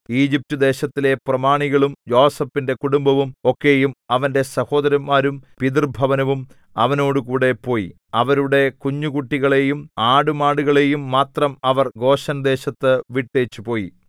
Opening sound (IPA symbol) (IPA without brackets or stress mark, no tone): iː